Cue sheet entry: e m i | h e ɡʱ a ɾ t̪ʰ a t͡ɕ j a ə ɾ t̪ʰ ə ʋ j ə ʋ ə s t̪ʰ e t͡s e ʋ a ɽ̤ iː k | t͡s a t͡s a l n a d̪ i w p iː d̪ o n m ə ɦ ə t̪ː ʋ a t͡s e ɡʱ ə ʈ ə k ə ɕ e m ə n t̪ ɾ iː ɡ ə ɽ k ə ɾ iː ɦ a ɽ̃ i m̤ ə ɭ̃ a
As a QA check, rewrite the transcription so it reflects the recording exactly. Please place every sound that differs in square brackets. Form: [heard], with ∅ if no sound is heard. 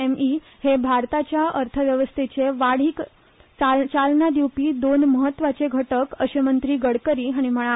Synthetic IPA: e m i | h e [bʱ] a ɾ [t̪] a t͡ɕ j a ə ɾ t̪ʰ ə ʋ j ə ʋ ə s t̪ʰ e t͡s e ʋ a ɽ̤ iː k | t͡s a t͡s a l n a d̪ i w p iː d̪ o n m ə ɦ ə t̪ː ʋ a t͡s e ɡʱ ə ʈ ə k ə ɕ e m ə n t̪ ɾ iː ɡ ə ɽ k ə ɾ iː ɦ a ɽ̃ i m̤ ə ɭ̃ a